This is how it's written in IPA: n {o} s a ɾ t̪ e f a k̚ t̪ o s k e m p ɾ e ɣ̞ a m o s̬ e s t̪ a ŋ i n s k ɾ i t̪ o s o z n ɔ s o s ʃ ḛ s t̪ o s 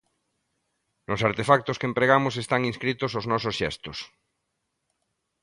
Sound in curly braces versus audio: correct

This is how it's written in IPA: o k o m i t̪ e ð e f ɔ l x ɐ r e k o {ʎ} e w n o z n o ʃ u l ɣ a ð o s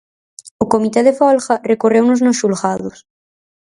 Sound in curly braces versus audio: incorrect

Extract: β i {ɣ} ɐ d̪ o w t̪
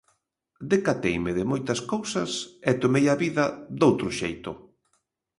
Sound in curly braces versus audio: incorrect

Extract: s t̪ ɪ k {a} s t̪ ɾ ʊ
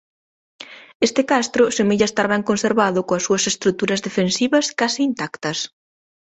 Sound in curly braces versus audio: correct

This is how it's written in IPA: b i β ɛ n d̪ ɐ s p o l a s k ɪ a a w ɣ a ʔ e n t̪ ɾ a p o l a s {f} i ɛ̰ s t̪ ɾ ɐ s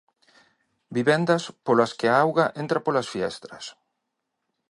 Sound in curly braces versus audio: correct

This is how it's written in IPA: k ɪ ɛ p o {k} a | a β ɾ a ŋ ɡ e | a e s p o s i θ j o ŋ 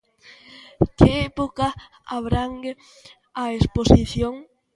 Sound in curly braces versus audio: correct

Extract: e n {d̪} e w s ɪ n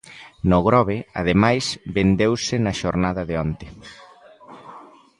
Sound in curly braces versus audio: correct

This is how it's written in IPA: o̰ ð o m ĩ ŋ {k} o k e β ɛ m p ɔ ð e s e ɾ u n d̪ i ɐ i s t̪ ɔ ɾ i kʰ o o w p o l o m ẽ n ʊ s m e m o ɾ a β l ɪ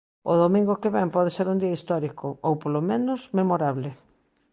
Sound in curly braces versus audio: incorrect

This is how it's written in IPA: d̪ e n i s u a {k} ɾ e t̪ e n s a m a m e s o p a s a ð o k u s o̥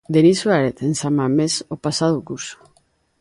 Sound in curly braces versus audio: incorrect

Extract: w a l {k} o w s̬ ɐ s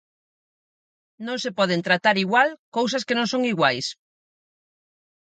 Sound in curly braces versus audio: correct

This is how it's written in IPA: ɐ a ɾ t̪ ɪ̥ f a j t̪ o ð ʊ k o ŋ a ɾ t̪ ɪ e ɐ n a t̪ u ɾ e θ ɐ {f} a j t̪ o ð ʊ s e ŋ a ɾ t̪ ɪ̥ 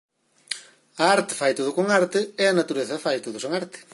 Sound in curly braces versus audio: correct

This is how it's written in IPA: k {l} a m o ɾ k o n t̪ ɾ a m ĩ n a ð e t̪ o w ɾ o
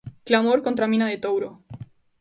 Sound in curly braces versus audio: correct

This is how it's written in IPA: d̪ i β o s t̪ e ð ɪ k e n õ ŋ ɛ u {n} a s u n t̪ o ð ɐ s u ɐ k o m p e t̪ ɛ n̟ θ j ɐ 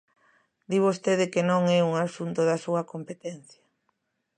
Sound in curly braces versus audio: incorrect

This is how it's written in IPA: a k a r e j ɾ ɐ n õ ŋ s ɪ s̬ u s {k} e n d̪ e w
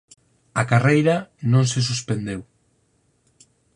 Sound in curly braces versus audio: incorrect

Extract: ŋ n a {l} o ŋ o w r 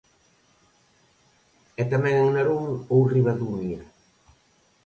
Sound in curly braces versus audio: incorrect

